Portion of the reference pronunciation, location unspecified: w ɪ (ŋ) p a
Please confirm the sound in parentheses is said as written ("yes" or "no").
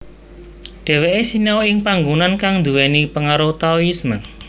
yes